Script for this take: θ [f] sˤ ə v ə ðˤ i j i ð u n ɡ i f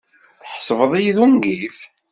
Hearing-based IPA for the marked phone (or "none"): ħ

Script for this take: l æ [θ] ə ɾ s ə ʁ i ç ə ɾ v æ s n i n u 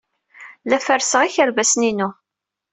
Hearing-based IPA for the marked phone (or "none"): f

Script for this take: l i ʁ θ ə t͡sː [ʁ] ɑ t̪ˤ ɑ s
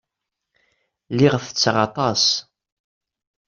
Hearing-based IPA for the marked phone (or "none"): ʁ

